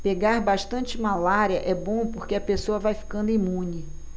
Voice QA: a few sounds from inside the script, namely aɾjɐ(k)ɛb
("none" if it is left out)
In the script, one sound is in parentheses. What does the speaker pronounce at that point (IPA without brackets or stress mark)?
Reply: ʔ